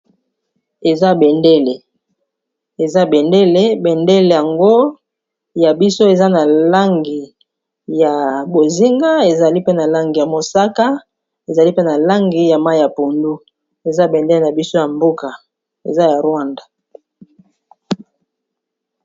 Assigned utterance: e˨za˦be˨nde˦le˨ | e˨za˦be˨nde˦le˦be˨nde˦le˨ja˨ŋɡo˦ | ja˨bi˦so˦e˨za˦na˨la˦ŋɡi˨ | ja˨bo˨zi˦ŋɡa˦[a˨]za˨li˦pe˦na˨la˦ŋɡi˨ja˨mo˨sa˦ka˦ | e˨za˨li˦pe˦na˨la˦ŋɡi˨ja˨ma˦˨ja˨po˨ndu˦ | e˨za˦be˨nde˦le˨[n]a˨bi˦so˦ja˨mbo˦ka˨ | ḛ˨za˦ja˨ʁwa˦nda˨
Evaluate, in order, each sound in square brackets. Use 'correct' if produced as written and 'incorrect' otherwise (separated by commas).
incorrect, correct